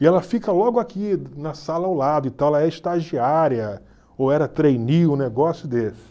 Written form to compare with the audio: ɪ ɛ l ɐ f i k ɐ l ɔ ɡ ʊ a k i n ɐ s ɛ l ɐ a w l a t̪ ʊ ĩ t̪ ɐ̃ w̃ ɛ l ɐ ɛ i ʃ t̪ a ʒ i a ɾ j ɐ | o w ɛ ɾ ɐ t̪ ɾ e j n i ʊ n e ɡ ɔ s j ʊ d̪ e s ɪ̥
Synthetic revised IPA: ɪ ɛ l ɐ f i k ɐ l ɔ ɡ ʊ a k i n ɐ s a l ɐ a w l a d̪ ʊ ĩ t̪ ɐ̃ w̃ ɛ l ɐ ɛ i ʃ t̪ a ʒ i a ɾ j ɐ | o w ɛ ɾ ɐ t̪ ɾ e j n i ʊ n e ɡ ɔ s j ʊ d̪ e s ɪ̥